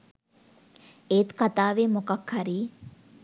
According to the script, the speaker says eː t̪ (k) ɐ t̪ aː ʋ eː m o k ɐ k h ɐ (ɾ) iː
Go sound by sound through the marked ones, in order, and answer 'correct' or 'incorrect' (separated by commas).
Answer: correct, correct